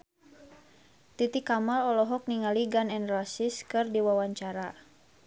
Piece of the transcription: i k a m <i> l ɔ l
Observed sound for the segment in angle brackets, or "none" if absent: a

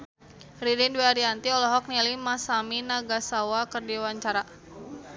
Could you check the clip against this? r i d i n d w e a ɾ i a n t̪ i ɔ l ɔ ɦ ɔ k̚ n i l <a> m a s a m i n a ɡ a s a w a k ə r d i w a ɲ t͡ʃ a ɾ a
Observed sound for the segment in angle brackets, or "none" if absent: i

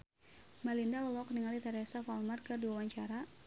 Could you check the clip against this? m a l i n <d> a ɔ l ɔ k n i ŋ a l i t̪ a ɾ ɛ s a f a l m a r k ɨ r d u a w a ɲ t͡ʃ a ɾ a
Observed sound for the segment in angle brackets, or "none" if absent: d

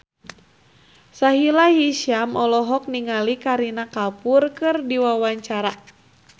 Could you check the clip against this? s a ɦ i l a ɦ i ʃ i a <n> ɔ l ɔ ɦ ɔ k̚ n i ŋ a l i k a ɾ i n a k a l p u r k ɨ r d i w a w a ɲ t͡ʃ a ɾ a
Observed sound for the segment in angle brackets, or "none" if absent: m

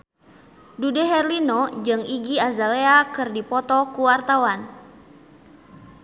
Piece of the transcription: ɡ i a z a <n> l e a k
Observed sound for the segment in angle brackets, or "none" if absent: none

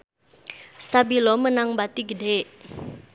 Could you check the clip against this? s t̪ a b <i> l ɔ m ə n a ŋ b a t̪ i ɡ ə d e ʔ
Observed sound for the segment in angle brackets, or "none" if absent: i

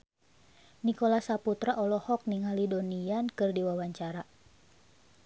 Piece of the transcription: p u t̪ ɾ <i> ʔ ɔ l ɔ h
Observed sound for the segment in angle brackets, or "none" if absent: a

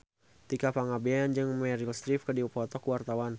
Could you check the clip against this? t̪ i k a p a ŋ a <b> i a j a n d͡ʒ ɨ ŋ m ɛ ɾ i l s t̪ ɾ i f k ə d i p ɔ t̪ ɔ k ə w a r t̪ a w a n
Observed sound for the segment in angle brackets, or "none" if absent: b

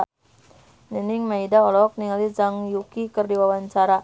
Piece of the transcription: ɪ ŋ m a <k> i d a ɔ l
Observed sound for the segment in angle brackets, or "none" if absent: none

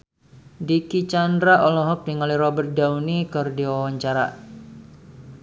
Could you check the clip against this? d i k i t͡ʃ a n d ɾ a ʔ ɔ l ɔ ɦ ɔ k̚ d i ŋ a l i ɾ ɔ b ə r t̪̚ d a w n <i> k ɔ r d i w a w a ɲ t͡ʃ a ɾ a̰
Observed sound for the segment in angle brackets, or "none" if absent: i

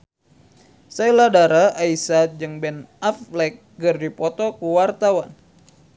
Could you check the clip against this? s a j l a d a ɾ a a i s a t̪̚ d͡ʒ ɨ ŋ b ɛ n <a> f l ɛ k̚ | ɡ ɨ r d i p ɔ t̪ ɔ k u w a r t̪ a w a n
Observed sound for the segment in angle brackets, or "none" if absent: a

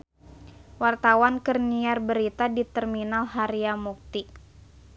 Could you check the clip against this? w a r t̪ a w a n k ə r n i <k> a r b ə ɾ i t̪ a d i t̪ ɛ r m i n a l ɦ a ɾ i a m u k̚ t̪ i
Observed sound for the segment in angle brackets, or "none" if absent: none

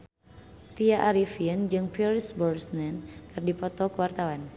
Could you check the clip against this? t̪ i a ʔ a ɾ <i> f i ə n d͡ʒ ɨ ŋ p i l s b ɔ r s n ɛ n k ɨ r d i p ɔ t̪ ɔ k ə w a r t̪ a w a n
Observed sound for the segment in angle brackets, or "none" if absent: i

